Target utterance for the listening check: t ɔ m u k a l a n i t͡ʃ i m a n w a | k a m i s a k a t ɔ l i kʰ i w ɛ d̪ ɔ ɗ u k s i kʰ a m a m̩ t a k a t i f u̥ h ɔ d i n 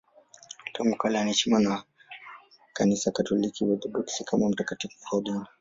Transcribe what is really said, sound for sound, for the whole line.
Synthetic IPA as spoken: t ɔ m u k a l a n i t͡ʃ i m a n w a | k a n i s a k a t ɔ l i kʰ i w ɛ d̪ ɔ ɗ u k s i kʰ a m a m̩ t a k a t i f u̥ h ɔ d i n